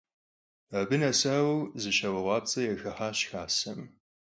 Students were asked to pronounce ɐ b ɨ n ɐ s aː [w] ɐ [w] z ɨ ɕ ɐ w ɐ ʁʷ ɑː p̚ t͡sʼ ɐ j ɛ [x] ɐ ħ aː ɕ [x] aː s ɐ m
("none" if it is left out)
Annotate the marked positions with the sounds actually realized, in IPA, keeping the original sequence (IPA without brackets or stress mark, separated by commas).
w, w, x, x